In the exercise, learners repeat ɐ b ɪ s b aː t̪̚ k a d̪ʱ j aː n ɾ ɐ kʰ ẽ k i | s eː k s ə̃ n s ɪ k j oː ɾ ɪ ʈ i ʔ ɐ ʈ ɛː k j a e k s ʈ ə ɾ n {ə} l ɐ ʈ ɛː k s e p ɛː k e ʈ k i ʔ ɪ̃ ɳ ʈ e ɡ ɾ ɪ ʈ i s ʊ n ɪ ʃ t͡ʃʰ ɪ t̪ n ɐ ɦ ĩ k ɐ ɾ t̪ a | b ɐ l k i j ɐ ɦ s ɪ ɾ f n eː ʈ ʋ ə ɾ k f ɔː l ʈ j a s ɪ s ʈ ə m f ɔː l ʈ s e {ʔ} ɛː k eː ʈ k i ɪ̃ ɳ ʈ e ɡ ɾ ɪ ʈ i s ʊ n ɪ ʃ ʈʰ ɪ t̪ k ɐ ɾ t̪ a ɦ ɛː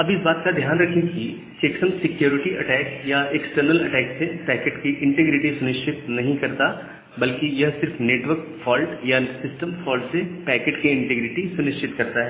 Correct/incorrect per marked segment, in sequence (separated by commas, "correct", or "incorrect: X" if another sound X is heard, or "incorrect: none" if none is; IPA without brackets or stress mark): correct, incorrect: p